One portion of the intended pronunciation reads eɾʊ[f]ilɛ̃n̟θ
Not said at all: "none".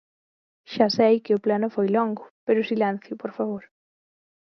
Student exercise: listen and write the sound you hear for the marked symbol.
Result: s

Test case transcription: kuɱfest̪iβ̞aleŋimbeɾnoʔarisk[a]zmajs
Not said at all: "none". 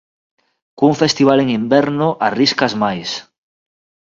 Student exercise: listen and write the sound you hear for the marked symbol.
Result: a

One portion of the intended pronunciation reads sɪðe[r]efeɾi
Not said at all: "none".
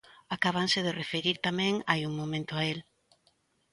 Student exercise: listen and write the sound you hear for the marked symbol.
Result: r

